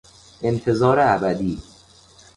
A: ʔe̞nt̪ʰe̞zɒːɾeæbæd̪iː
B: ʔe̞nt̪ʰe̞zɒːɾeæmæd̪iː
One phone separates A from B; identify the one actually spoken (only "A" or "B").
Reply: A